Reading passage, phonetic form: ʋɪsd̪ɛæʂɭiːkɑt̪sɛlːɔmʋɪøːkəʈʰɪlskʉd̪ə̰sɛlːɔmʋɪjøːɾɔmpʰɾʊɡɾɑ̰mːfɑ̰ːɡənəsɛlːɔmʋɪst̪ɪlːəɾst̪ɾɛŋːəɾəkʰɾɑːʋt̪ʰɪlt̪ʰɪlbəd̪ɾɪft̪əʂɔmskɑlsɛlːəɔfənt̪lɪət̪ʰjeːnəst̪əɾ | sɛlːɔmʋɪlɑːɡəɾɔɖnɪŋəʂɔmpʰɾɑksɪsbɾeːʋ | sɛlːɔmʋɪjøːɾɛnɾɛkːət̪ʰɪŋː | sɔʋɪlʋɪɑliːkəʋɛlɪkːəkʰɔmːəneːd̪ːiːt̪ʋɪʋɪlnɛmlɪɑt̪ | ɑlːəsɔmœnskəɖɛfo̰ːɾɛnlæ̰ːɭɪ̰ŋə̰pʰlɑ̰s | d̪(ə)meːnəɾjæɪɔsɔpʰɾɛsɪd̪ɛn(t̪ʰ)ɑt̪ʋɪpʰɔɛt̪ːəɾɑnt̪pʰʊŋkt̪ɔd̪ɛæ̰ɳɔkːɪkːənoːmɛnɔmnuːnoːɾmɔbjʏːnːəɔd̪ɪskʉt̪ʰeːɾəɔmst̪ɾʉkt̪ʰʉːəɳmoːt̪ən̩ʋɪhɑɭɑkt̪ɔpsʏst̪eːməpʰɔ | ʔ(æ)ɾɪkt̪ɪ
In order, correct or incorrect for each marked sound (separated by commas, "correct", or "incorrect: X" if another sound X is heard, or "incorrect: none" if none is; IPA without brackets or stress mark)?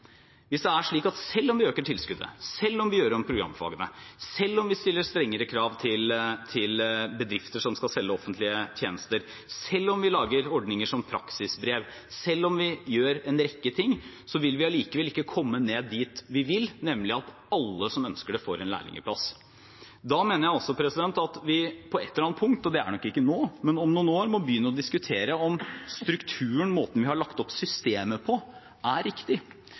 incorrect: ɑ, incorrect: t̪, correct